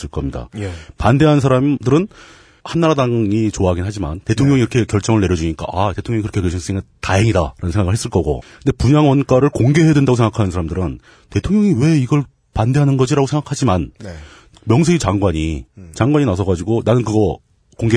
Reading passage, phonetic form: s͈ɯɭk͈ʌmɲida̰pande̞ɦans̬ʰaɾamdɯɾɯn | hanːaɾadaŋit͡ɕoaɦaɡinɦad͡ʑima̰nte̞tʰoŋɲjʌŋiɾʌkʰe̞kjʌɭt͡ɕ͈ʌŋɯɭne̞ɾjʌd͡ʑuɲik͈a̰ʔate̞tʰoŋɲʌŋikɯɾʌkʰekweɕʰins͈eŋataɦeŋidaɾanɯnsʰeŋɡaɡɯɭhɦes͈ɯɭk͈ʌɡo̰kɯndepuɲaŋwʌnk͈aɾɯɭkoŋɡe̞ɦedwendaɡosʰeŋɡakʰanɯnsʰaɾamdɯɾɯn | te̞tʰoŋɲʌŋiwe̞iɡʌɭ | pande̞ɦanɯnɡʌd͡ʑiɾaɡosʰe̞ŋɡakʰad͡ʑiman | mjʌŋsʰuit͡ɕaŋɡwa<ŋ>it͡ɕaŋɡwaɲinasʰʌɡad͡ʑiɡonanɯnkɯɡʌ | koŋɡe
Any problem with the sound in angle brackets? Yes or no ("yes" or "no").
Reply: yes